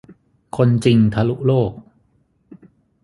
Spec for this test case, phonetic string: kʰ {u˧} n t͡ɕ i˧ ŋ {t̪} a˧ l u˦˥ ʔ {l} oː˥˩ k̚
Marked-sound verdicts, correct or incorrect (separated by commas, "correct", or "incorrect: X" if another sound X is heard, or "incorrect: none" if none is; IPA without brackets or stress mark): incorrect: o˧, incorrect: t̪ʰ, correct